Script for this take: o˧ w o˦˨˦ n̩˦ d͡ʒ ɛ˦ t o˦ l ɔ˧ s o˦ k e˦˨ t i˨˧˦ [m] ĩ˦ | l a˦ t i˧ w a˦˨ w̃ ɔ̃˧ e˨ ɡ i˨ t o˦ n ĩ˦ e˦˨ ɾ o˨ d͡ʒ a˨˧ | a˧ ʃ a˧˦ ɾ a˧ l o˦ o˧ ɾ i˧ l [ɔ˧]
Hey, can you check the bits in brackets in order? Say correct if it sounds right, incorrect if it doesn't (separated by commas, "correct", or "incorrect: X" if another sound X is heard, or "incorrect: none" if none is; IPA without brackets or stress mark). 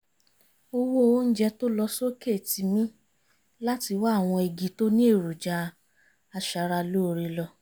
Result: correct, correct